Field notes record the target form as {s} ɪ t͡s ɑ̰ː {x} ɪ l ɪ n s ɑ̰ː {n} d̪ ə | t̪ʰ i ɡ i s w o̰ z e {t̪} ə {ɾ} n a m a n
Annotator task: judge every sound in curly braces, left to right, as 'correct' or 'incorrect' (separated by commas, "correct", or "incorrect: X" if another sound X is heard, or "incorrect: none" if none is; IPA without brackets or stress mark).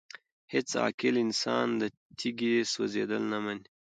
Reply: incorrect: h, incorrect: k, correct, incorrect: d̪, incorrect: l